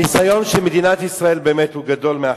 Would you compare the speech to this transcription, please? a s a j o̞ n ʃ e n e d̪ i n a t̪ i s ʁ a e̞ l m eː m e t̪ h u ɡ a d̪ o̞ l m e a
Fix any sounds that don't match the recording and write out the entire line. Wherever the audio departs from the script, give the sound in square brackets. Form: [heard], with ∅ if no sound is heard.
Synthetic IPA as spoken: [i] s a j o̞ n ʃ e [m] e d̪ i n a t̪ i s ʁ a e̞ l [b] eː m e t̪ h u ɡ a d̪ o̞ l m e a